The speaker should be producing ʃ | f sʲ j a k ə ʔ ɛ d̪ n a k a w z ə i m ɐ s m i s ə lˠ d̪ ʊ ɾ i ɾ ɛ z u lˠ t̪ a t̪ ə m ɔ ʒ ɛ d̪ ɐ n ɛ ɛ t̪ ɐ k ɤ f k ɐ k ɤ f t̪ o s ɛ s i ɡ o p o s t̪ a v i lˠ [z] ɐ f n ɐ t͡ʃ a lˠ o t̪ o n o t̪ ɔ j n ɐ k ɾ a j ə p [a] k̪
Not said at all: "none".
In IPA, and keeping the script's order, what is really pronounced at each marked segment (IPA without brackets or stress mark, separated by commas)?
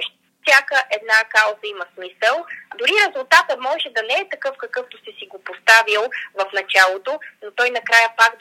v, a